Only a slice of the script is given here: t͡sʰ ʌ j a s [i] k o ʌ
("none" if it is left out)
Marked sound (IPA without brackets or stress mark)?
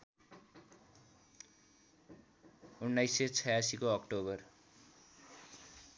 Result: i